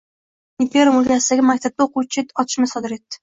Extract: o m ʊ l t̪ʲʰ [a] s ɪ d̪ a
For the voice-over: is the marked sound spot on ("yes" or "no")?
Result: yes